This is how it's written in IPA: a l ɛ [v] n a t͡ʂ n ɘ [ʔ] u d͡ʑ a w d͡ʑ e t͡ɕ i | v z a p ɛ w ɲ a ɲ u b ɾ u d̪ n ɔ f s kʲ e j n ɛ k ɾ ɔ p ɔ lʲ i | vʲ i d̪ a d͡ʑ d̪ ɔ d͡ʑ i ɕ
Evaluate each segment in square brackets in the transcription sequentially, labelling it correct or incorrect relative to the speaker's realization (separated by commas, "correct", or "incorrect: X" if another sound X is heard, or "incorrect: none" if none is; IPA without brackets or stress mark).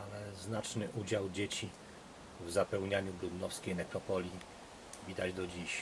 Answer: incorrect: z, correct